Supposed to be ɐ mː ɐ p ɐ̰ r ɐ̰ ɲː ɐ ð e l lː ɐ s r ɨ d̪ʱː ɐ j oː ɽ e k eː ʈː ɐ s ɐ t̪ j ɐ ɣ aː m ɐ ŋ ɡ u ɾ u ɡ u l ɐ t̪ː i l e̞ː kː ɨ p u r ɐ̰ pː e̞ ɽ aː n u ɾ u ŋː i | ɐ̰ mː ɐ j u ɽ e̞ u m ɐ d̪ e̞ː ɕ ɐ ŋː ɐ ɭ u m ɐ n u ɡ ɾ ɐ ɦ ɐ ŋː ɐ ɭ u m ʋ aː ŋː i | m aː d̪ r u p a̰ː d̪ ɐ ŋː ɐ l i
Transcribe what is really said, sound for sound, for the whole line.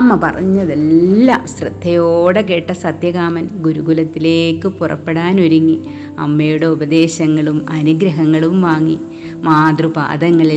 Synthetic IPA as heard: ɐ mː ɐ p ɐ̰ r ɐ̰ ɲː ɐ ð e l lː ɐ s r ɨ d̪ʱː ɐ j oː ɽ e k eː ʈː ɐ s ɐ t̪ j ɐ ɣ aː m ɐ n ɡ u ɾ u ɡ u l ɐ t̪ː i l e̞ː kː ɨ p u r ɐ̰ pː e̞ ɽ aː n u ɾ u ŋː i | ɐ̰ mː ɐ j u ɽ e̞ u b ɐ d̪ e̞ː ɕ ɐ ŋː ɐ ɭ u m ɐ n u ɡ ɾ ɐ ɦ ɐ ŋː ɐ ɭ u m ʋ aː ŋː i | m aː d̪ r u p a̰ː d̪ ɐ ŋː ɐ ɭ i